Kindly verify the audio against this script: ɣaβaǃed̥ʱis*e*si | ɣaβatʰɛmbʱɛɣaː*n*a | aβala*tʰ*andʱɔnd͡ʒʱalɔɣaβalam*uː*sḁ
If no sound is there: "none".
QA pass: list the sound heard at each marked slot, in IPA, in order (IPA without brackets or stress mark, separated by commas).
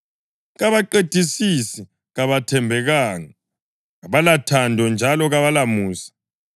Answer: i, ŋ, tʰ, uː